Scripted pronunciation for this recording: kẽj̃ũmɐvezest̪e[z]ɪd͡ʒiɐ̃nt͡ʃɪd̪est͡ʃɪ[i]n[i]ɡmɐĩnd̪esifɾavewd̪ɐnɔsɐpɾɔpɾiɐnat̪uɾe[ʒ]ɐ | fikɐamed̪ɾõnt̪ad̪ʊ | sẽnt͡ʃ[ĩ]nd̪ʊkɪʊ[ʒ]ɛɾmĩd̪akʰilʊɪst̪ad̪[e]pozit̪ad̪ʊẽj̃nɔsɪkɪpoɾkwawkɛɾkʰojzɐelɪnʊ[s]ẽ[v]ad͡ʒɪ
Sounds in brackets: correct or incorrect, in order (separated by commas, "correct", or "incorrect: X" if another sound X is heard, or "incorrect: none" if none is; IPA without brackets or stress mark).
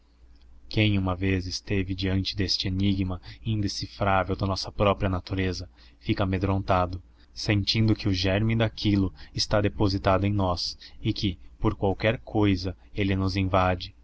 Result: incorrect: v, incorrect: e, correct, incorrect: z, correct, correct, correct, incorrect: z, correct